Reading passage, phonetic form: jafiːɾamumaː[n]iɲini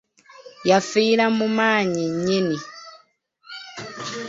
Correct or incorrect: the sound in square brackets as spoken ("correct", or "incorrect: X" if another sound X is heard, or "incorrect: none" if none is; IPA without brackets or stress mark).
incorrect: ɲ